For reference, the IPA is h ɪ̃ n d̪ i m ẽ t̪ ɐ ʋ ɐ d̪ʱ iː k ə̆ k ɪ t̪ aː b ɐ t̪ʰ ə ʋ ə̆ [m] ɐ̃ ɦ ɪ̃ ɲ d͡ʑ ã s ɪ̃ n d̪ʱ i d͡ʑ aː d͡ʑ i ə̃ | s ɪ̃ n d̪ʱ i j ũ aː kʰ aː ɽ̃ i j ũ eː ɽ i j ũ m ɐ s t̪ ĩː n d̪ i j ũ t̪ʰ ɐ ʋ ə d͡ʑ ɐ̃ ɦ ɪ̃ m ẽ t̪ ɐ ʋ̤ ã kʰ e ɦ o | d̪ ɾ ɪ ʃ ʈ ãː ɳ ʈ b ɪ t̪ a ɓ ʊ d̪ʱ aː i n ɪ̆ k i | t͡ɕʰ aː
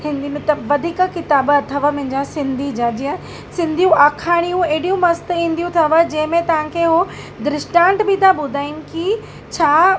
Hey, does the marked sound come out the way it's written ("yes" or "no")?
yes